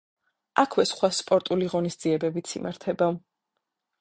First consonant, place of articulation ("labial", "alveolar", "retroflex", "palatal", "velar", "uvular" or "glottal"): velar